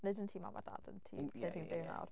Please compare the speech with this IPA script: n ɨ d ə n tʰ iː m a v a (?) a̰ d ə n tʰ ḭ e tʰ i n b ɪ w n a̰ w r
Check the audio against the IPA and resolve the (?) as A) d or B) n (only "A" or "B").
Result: A